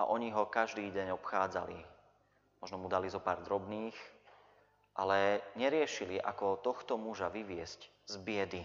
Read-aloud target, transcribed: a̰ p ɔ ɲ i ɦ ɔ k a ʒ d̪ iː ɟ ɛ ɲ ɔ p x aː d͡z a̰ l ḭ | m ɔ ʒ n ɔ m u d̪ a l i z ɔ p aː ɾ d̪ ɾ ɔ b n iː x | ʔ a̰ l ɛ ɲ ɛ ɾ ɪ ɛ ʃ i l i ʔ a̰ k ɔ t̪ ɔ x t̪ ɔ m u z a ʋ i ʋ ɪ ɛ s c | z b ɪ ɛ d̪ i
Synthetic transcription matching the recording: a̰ ʔ ɔ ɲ i ɦ ɔ k a ʒ d̪ iː ɟ ɛ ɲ ɔ p x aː d͡z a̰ l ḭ | m ɔ ʒ n ɔ m u d̪ a l i z ɔ p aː ɾ d̪ ɾ ɔ b n iː x | ʔ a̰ l ɛ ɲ ɛ ɾ ɪ ɛ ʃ i l i ʔ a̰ k ɔ t̪ ɔ x t̪ ɔ m u ʒ a ʋ i ʋ ɪ ɛ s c | z b ɪ ɛ d̪ i